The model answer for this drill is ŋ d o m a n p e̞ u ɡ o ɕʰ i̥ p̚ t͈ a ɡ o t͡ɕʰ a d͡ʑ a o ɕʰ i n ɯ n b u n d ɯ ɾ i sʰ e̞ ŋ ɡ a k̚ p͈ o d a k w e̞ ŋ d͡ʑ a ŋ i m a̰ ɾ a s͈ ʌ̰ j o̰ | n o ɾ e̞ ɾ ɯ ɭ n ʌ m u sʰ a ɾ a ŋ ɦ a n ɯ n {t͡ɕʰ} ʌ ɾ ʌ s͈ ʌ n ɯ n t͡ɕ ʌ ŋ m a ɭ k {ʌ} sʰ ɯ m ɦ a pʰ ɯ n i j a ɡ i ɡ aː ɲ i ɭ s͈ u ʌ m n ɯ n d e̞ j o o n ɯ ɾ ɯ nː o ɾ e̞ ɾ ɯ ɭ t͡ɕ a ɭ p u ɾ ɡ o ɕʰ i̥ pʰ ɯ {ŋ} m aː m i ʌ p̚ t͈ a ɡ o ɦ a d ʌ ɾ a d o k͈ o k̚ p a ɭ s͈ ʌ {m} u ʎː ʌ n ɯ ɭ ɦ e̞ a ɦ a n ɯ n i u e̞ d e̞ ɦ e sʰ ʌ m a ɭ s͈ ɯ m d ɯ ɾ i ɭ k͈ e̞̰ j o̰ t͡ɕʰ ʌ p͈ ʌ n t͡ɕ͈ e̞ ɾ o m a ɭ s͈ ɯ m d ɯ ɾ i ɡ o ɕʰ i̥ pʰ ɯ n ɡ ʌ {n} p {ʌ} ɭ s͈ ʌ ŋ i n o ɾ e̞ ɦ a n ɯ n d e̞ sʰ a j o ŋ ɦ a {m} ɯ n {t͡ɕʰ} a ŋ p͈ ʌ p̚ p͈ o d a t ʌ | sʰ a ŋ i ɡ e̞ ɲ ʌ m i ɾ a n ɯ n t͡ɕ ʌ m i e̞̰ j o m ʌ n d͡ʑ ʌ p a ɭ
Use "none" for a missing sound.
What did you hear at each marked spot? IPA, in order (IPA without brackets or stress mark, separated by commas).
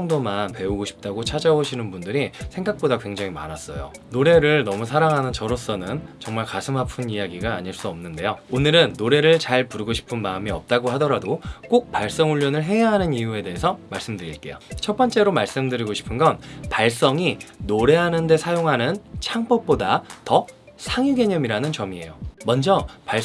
t͡ɕ, a, n, ŋ, n, a, n, t͡ɕʰ